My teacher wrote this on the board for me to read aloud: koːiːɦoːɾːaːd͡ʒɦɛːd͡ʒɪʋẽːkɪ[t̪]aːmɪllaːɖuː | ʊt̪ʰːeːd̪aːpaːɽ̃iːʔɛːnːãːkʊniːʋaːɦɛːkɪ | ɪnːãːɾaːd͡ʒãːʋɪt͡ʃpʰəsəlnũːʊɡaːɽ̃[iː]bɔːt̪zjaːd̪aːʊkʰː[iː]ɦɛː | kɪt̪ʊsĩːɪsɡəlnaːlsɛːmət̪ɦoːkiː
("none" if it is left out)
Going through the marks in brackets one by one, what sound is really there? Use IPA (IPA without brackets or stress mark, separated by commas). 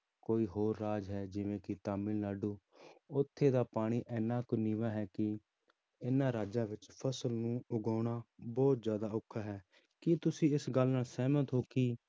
t̪, aː, aː